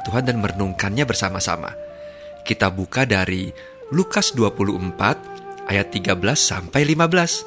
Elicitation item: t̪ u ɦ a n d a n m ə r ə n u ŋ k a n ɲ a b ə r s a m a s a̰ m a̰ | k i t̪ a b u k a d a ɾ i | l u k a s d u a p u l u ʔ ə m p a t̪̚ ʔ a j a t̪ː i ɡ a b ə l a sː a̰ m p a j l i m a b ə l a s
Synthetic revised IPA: t̪ u ɦ a n d a n m ə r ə n u ŋ k a n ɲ a b ə r s a m a s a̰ m a̰ | k i t̪ a b u k a d a ɾ i | l u k a s d u a p u l u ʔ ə m p a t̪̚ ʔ a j a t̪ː i ɡ a b ə l a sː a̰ m p a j l i m a b ə l a s